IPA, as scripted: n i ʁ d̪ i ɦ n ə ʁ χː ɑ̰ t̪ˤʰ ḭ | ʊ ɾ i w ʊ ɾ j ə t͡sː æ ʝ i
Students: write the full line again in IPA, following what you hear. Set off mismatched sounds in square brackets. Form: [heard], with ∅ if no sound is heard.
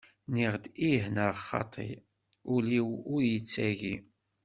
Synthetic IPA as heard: n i ʁ d̪ i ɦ n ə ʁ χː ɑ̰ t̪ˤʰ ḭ | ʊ [l] i w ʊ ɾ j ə t͡sː æ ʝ i

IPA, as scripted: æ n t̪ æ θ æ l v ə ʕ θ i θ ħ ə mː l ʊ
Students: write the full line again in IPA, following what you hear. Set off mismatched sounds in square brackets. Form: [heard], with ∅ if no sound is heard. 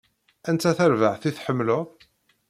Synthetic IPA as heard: æ n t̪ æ θ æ [ɾ] v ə ʕ θ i θ ħ ə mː l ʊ

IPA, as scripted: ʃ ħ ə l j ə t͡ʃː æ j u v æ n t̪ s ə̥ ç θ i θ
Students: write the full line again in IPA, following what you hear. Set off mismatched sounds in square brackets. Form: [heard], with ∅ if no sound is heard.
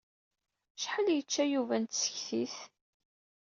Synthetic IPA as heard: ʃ ħ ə l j ə t͡ʃː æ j u v æ n t̪ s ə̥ ç θ i θ

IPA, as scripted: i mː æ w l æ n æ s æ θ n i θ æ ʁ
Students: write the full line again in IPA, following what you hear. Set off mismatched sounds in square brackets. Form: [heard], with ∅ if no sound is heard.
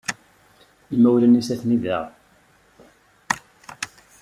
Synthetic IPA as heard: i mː æ w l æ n [i] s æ θ n i [ð] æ ʁ

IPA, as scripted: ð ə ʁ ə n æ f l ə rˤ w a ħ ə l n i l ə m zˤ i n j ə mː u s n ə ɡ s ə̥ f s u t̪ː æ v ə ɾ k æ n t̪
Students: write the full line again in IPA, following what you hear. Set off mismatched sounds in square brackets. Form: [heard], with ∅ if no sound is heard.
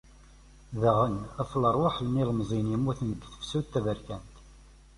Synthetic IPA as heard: ð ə ʁ ə n æ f l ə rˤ w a ħ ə l n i l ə m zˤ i n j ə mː u [θ] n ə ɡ [θ] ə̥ f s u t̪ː æ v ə ɾ k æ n t̪

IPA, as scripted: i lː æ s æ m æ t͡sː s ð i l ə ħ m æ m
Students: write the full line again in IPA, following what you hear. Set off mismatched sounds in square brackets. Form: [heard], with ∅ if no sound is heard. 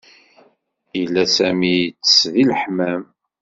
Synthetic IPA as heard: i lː æ s æ m [i] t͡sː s ð i l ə ħ m æ m

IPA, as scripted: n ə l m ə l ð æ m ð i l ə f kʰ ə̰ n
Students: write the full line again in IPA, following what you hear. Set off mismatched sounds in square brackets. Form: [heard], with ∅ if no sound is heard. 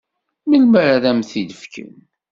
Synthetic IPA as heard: [m] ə l m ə [ɾ] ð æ m [θ] i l ə f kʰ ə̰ n

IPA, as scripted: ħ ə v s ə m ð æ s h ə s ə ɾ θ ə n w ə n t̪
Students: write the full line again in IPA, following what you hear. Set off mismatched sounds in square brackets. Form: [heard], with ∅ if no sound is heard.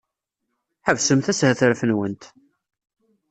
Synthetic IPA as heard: ħ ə v s ə m [θ] æ s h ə [θ] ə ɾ [f] ə n w ə n t̪

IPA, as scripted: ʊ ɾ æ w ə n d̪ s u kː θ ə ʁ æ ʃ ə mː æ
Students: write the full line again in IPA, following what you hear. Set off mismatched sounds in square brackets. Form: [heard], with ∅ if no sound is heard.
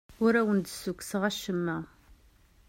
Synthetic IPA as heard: ʊ ɾ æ w ə n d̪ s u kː [s] ə ʁ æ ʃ ə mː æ

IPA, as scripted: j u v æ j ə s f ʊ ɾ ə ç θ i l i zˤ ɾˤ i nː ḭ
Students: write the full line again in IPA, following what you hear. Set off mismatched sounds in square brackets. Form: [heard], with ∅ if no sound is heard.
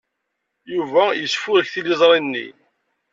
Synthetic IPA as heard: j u v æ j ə s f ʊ ɾ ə ç θ i l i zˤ ɾˤ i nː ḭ

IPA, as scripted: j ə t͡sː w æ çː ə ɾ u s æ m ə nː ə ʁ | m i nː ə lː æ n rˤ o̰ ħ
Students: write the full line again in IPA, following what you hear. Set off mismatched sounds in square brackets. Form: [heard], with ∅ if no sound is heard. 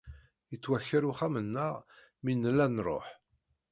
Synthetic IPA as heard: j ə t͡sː w æ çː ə ɾ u [χ] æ m ə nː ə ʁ | m i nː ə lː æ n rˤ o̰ ħ

